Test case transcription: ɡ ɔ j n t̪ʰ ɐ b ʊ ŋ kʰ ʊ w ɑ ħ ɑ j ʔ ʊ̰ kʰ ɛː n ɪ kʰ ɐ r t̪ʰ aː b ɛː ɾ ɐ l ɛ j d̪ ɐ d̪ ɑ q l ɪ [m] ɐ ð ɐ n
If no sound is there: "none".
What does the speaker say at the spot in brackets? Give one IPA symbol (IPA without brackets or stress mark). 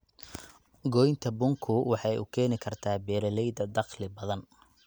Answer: b